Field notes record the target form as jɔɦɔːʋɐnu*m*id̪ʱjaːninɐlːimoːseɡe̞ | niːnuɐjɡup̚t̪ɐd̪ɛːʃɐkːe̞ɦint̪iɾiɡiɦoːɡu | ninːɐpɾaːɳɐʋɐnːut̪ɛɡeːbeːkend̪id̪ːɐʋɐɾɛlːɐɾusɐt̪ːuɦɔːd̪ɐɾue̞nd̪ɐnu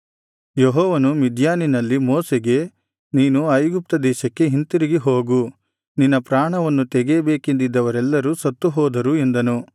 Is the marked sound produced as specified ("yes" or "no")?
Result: yes